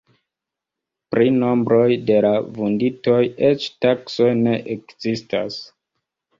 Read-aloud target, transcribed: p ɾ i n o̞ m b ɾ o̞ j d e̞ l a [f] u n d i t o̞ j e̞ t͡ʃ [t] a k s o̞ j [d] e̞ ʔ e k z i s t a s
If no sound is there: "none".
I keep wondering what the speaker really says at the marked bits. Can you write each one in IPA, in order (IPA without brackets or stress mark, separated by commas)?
v, t, n